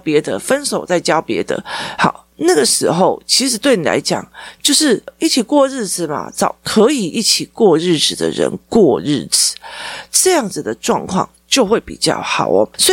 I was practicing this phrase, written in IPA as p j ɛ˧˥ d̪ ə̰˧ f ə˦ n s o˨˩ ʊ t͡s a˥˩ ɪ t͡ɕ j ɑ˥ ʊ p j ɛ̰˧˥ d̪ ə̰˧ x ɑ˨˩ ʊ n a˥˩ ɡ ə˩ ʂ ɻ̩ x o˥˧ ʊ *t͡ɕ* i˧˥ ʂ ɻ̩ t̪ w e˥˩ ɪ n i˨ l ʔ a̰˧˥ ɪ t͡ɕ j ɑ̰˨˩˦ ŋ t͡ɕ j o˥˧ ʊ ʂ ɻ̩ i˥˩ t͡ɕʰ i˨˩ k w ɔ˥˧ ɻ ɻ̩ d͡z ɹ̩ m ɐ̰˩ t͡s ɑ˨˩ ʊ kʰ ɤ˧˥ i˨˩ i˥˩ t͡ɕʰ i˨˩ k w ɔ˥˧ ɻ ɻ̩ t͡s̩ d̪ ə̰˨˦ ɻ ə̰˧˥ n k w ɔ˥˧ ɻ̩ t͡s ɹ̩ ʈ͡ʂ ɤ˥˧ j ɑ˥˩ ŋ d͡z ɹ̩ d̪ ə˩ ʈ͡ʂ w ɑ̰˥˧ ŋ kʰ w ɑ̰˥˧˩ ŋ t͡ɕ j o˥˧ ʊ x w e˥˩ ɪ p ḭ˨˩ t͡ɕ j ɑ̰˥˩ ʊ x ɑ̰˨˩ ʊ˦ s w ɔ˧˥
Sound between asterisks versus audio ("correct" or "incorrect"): incorrect